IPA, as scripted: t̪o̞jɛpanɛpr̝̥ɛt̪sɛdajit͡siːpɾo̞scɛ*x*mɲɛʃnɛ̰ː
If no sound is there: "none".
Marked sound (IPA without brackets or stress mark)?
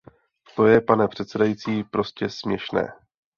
s